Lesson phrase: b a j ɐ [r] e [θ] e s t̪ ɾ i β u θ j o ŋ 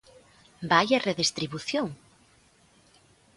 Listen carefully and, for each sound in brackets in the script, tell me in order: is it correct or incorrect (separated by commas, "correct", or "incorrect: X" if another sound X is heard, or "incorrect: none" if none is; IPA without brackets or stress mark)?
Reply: correct, incorrect: ð